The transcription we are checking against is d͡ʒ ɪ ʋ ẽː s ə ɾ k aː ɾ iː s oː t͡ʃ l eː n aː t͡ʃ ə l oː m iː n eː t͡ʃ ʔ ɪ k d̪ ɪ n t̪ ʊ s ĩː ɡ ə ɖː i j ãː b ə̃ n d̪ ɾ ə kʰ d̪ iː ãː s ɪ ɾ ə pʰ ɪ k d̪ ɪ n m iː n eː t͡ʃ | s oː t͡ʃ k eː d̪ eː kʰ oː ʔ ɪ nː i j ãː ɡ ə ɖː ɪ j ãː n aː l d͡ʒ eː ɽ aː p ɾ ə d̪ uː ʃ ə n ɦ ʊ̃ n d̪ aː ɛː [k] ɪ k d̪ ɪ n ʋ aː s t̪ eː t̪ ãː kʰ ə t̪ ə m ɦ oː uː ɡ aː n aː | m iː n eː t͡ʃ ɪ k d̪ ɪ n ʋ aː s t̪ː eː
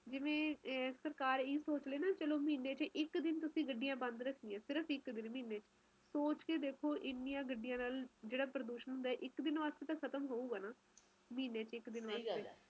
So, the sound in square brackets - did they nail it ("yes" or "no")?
no